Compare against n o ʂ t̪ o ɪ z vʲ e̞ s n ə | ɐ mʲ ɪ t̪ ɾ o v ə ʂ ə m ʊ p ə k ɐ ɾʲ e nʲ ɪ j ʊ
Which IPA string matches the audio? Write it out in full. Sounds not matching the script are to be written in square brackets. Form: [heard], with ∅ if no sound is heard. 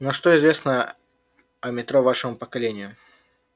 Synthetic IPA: n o ʂ t̪ o ɪ z vʲ e̞ s n ə | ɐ mʲ ɪ t̪ ɾ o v [a] ʂ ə m ʊ p ə k ɐ [lʲ] e nʲ ɪ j ʊ